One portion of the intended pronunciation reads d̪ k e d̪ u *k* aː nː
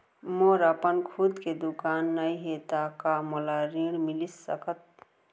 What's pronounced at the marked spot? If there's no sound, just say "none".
k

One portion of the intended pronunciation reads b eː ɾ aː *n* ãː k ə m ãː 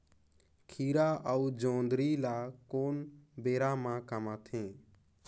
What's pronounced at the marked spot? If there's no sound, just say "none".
m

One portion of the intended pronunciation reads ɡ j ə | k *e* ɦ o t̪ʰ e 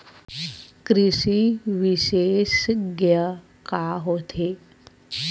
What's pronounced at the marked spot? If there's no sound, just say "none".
a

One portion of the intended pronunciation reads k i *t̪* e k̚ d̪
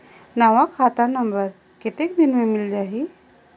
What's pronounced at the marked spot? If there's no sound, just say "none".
t̪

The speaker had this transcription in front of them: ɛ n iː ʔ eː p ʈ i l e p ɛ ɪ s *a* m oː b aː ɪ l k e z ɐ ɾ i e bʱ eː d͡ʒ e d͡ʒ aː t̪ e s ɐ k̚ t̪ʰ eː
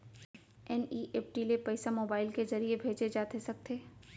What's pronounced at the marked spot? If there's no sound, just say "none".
a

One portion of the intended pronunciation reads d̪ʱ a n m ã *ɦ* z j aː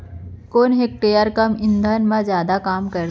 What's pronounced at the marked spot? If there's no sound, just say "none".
none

